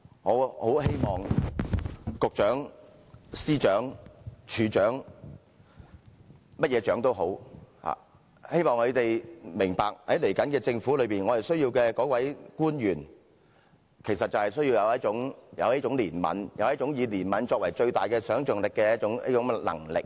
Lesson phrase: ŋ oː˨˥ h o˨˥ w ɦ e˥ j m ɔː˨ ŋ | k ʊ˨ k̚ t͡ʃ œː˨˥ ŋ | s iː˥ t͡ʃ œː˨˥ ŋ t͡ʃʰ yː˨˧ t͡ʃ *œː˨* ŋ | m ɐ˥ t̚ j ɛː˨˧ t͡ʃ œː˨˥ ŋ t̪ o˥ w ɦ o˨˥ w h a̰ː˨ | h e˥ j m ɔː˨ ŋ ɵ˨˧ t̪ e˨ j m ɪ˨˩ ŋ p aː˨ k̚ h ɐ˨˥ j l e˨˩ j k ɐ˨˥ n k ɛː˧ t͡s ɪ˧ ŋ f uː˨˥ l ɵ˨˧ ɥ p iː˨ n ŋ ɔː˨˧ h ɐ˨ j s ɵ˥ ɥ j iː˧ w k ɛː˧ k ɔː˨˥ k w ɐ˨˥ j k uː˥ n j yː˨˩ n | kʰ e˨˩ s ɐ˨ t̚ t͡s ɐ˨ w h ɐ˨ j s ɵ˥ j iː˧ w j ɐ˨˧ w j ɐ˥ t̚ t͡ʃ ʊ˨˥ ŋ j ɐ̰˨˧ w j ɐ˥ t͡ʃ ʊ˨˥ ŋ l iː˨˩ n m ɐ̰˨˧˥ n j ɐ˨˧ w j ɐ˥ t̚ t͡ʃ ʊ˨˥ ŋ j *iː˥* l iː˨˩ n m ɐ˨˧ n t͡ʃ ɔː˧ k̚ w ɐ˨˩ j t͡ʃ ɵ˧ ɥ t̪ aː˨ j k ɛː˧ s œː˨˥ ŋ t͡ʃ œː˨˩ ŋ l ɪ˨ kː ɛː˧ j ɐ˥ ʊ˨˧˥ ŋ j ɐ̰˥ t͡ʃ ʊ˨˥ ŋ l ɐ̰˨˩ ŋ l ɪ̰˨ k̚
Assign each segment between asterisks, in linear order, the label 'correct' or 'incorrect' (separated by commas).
incorrect, incorrect